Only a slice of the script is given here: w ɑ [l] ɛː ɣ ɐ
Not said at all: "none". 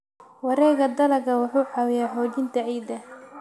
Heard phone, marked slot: ɾ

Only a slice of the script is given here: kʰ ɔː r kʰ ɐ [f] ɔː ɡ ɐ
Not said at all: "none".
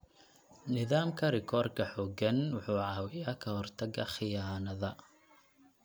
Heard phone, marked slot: ħ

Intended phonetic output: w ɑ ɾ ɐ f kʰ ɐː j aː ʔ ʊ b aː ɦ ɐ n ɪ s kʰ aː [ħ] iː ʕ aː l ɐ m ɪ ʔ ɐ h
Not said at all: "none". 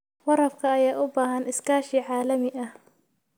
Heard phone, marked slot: ʃ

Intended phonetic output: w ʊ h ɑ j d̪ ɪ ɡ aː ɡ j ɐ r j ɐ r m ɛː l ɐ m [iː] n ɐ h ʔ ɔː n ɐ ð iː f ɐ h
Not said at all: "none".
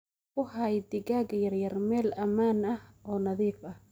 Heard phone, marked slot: aː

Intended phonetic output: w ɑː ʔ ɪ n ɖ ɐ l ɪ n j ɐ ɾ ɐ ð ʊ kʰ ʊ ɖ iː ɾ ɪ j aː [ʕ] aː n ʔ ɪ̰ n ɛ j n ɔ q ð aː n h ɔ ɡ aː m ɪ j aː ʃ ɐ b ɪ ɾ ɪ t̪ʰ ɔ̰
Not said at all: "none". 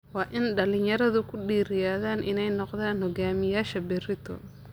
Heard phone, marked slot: ð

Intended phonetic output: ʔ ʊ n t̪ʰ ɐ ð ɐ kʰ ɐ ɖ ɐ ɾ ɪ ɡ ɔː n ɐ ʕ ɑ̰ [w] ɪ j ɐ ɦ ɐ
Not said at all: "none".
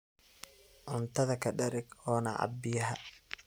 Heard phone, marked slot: b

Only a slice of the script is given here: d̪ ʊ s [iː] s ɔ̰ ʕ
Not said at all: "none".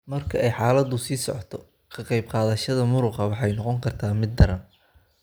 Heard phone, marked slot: iː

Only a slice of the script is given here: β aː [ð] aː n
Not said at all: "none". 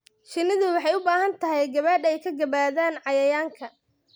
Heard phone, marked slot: ð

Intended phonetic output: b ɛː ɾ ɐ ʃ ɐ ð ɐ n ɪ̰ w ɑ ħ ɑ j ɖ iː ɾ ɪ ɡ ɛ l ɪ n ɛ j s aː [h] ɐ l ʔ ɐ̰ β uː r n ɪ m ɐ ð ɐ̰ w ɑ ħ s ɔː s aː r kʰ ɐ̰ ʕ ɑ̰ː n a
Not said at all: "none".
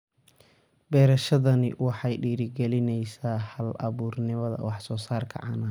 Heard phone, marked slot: h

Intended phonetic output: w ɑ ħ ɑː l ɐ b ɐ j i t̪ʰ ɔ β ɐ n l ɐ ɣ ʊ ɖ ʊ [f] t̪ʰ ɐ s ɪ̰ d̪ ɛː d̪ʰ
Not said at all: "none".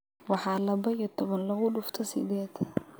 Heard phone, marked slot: f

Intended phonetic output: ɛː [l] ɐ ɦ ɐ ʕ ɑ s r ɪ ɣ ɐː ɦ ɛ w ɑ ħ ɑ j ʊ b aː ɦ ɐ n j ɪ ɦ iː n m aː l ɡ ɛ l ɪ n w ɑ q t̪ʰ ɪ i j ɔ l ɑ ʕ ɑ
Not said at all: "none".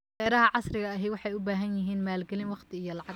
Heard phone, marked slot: ɾ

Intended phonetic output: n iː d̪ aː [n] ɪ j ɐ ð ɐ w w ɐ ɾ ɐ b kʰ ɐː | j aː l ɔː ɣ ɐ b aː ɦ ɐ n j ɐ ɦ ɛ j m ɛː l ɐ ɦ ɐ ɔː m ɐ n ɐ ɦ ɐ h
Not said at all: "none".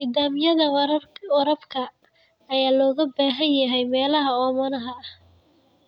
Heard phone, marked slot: m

